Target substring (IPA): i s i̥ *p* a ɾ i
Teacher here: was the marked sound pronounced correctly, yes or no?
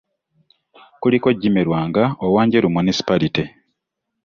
yes